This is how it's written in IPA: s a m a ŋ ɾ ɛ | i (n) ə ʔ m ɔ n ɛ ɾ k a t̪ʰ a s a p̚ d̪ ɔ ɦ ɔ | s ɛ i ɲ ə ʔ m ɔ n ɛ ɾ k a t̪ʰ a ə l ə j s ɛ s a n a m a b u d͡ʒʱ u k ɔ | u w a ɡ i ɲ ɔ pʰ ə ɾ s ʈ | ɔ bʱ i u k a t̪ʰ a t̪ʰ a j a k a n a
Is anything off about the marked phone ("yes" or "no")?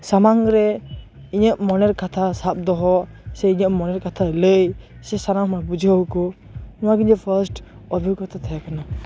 yes